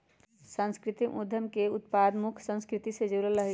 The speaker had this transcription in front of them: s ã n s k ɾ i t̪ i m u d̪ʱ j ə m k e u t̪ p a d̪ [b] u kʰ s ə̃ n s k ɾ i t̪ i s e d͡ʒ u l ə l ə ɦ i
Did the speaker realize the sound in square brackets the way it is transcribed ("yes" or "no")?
no